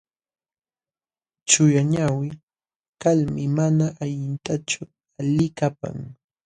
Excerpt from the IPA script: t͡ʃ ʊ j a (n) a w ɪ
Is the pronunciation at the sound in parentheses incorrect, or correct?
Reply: incorrect: ɲ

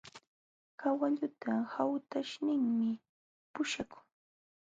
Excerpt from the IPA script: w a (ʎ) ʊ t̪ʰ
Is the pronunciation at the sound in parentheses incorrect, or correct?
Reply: correct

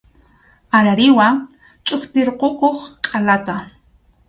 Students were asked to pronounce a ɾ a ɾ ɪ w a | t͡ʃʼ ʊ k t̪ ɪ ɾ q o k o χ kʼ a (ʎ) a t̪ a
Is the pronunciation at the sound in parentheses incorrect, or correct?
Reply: incorrect: l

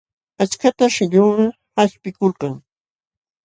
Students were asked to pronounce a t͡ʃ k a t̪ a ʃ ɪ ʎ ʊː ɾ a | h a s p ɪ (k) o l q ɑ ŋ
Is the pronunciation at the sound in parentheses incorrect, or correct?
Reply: correct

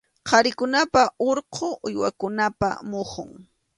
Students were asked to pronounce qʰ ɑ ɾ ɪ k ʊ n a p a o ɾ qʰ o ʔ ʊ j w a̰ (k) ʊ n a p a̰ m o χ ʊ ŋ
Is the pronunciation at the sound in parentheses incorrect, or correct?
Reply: correct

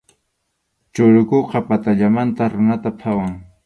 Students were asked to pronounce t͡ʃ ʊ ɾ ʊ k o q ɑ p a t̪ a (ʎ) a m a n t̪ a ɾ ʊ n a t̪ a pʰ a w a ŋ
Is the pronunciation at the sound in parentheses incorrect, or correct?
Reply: correct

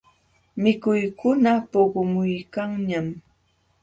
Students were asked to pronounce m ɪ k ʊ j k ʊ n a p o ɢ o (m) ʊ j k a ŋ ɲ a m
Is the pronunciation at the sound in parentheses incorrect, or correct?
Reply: correct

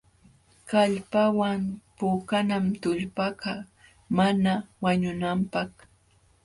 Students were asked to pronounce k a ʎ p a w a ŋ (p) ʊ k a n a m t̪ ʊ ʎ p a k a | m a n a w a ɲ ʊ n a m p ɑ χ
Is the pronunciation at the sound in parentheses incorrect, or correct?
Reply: correct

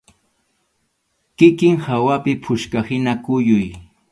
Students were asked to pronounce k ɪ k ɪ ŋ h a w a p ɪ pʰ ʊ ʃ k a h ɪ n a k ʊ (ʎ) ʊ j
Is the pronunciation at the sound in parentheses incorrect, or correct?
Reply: incorrect: j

